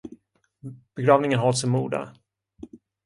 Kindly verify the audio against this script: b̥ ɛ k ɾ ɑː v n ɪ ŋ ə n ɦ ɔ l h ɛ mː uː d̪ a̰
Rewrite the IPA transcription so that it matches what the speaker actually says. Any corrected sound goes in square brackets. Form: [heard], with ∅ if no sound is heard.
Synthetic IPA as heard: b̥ ɛ [ɡ] ɾ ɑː v n ɪ ŋ ə n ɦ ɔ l [s] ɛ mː uː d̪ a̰